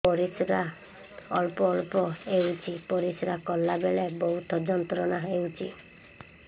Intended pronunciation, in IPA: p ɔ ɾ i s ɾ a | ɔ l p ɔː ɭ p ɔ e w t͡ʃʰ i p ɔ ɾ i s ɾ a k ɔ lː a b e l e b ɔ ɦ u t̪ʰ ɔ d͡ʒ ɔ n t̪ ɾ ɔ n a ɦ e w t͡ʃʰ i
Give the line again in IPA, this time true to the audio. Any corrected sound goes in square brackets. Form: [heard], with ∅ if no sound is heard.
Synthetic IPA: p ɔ ɾ i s ɾ a | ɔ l p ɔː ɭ p ɔ e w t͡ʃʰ i p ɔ ɾ i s ɾ a k ɔ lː a b e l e b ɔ ɦ u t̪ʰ ɔ d͡ʒ ɔ n t̪ ɾ ɔ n a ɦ e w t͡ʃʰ i